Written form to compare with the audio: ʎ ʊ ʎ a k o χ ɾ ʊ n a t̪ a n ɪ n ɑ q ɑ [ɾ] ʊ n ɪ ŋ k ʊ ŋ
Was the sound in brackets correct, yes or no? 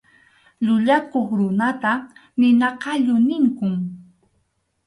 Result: no